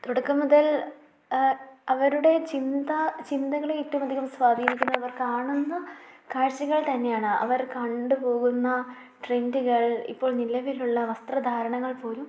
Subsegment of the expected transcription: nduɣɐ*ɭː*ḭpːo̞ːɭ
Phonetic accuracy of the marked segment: incorrect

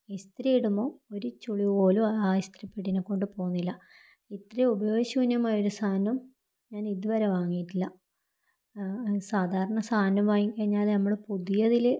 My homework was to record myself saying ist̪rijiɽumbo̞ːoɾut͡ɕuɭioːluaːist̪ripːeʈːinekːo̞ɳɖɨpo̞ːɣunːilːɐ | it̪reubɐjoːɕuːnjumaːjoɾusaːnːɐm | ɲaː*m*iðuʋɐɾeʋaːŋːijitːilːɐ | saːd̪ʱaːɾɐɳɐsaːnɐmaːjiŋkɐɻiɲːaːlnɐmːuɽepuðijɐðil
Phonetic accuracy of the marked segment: incorrect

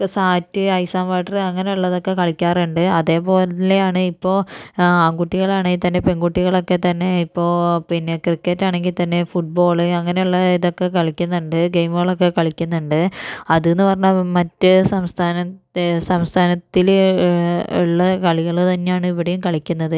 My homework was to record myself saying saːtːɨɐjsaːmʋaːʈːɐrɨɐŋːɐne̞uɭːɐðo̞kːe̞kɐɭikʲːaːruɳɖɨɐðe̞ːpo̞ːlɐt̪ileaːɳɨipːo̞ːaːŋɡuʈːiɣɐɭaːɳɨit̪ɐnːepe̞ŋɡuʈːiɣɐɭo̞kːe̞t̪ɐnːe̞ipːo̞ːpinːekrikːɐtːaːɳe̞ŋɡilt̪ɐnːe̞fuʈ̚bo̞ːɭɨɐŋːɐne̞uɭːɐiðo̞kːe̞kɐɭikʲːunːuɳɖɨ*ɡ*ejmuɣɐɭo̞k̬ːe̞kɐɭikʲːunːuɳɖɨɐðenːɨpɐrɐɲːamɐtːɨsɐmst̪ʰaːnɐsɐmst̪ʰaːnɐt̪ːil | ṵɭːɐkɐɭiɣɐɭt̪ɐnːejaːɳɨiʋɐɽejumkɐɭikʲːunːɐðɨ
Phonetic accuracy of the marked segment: correct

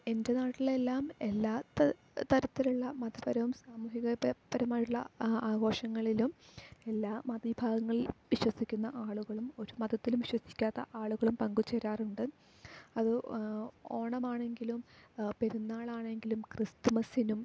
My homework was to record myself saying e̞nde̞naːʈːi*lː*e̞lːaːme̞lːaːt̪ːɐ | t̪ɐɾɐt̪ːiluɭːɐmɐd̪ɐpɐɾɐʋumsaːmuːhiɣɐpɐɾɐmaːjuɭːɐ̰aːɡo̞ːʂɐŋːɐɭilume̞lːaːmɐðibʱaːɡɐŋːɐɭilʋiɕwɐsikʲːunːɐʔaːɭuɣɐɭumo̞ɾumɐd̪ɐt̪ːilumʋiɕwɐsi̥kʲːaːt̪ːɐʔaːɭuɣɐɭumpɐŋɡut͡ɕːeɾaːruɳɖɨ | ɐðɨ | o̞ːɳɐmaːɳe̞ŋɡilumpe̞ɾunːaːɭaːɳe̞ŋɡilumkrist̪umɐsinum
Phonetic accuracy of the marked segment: incorrect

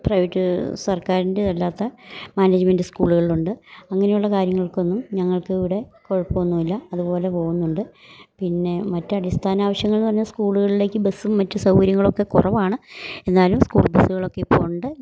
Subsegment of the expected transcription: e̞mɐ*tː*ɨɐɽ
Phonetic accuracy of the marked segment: correct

